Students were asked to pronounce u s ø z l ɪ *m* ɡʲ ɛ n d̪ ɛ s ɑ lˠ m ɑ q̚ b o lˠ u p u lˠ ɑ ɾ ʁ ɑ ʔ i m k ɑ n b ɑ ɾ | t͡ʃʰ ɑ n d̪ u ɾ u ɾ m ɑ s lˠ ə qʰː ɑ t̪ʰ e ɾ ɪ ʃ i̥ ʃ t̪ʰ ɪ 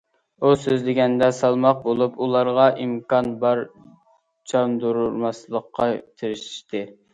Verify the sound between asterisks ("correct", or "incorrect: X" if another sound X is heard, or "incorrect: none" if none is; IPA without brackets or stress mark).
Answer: incorrect: none